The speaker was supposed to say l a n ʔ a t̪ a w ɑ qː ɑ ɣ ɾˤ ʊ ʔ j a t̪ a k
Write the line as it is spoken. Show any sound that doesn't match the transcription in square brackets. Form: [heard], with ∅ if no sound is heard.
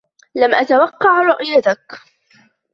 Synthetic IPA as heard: l a [m] ʔ a t̪ a w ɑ qː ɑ [ʕ] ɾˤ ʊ ʔ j a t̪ a k